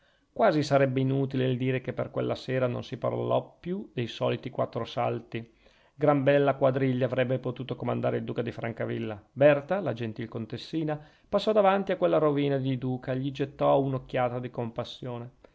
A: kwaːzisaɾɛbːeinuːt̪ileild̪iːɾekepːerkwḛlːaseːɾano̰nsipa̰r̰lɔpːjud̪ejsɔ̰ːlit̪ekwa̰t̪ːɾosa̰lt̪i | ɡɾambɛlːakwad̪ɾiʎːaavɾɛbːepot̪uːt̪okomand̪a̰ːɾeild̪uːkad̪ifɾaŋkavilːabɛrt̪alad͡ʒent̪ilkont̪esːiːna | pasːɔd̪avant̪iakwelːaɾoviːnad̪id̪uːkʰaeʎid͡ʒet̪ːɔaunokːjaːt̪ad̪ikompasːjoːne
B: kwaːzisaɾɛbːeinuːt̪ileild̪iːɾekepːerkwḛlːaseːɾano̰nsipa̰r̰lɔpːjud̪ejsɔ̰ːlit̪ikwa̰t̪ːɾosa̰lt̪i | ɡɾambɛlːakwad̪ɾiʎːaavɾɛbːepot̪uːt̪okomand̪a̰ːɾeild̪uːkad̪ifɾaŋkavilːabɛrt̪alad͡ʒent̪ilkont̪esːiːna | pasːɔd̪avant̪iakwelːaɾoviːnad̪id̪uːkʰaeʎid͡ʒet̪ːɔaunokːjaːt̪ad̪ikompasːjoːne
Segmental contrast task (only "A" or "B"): B